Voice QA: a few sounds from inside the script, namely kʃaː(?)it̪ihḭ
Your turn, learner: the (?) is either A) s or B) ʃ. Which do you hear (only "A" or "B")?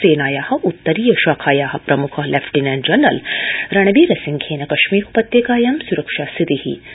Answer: A